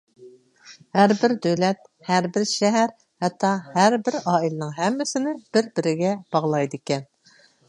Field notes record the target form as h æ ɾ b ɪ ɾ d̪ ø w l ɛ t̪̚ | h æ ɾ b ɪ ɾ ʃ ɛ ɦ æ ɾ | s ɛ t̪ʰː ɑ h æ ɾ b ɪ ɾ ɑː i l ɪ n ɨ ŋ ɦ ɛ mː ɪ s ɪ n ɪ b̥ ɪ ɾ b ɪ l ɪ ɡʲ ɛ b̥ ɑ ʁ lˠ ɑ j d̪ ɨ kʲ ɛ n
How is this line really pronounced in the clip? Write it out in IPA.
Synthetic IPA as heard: h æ ɾ b ɪ ɾ d̪ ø w l ɛ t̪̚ | h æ ɾ b ɪ ɾ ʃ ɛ ɦ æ ɾ | h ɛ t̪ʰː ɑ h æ ɾ b ɪ ɾ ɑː i l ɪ n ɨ ŋ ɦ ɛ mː ɪ s ɪ n ɪ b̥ ɪ ɾ b ɪ ɾ ɪ ɡʲ ɛ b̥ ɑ ʁ lˠ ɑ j d̪ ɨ kʲ ɛ n